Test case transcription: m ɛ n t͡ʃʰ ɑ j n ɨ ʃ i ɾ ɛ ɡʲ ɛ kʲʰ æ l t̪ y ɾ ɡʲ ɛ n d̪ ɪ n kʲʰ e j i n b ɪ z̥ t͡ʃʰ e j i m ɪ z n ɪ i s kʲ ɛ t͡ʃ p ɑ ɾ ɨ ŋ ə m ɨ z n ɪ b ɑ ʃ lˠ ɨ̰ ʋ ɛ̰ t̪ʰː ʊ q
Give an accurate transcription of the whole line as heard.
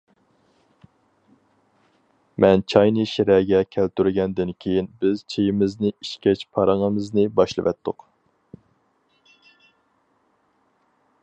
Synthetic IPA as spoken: m ɛ n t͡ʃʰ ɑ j n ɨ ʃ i ɾ ɛ ɡʲ ɛ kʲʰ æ l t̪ y ɾ ɡʲ ɛ n d̪ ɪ n kʲʰ e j i n b ɪ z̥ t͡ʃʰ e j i m ɪ z n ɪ i ʃ kʲ ɛ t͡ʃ pʰ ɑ ɾ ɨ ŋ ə m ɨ z n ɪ b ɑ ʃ lˠ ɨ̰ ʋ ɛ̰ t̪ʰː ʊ q